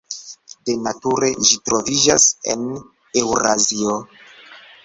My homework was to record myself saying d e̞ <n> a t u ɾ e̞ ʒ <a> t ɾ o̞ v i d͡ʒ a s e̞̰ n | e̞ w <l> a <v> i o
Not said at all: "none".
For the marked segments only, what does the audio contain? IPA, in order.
n, i, ɾ, z

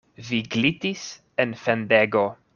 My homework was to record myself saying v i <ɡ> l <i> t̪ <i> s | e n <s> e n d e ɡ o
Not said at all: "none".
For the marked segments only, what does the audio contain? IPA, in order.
ɡ, i, i, f

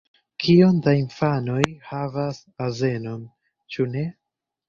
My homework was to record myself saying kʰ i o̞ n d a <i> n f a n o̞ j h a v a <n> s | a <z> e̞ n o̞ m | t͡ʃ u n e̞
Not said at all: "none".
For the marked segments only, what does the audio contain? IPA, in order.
i, none, z

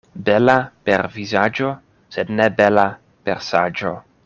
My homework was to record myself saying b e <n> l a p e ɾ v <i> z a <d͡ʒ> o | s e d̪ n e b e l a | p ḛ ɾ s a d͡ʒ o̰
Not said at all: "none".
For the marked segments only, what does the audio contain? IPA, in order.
none, i, d͡ʒ

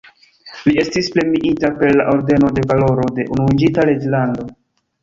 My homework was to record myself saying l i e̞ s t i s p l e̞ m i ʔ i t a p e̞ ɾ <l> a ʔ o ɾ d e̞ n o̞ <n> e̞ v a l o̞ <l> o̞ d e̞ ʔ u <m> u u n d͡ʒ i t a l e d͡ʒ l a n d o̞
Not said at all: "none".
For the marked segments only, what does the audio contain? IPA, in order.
l, d, ɾ, n

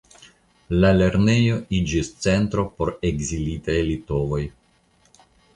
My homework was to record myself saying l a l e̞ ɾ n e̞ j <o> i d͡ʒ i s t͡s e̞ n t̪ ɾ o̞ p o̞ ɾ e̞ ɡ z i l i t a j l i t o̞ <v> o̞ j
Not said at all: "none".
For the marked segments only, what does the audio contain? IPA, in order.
o, v

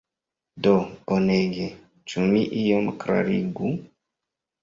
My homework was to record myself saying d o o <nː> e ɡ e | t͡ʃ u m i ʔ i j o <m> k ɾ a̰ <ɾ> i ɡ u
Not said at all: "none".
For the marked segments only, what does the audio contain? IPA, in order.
n, m, ɾ

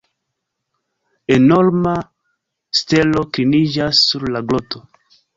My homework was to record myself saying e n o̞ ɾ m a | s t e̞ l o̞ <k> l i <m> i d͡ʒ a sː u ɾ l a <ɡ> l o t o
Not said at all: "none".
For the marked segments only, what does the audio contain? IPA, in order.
k, n, ɡ

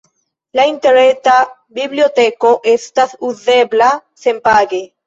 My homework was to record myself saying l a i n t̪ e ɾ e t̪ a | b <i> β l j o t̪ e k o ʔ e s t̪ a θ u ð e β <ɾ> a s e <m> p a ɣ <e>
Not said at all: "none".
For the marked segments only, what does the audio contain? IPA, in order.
i, l, m, e

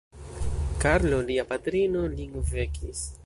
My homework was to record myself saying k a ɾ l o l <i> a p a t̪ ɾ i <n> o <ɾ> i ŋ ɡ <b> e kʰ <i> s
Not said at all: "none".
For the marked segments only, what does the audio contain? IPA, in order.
i, n, l, v, i

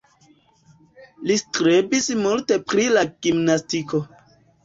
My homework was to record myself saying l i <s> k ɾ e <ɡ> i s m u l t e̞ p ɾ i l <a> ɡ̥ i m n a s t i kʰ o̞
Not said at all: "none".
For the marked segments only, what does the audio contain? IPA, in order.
s, b, a

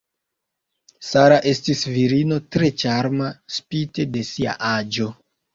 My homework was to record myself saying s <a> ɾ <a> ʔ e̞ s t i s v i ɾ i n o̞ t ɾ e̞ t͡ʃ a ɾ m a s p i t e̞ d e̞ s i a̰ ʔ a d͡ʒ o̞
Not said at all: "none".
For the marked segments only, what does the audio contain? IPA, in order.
a, a

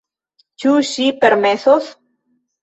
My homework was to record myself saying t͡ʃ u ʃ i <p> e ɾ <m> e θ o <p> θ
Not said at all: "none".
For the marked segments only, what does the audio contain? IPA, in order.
p, m, none

